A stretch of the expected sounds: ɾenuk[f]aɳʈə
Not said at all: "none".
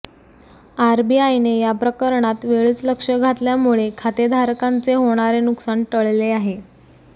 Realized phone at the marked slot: s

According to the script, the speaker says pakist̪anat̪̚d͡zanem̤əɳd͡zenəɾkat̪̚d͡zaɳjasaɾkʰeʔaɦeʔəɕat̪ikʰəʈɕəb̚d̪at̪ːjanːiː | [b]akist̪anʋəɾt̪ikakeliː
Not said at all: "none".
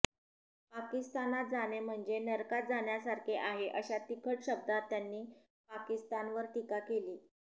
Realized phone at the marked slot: p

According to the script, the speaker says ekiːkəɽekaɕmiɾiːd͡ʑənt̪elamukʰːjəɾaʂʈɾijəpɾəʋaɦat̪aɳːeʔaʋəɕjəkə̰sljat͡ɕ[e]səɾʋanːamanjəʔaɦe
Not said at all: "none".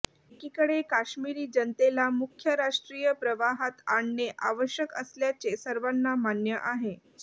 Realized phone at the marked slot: e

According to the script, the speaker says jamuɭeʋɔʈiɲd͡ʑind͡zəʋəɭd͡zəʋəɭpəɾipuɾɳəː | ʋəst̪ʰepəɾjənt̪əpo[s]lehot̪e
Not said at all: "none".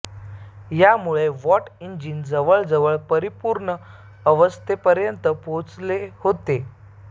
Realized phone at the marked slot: t͡s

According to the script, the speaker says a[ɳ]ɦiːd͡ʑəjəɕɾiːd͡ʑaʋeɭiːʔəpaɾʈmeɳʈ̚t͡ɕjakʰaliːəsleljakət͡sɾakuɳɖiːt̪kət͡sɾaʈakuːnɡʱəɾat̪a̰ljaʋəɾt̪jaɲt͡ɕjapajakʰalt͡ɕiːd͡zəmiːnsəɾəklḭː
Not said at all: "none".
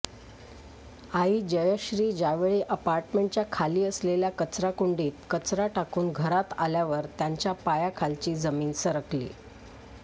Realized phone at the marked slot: none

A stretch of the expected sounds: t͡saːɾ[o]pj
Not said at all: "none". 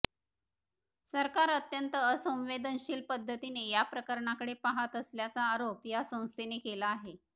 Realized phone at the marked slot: o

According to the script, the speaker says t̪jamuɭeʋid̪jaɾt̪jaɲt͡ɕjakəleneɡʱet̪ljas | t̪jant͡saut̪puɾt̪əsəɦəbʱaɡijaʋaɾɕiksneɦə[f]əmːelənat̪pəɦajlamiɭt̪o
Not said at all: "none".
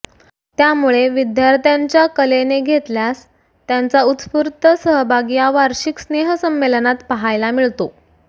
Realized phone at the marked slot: s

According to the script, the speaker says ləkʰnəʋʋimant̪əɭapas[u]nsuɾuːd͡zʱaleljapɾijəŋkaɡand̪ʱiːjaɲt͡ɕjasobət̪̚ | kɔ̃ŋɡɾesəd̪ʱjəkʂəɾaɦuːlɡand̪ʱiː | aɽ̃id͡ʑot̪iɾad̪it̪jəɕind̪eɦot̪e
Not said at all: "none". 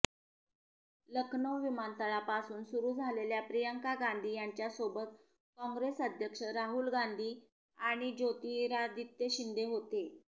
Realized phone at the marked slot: uː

